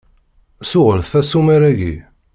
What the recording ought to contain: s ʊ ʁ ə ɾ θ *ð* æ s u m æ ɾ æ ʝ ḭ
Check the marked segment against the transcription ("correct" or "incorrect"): incorrect